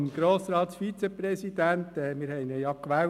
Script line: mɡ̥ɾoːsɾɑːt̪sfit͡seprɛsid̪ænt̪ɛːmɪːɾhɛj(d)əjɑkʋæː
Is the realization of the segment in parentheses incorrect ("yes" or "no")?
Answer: yes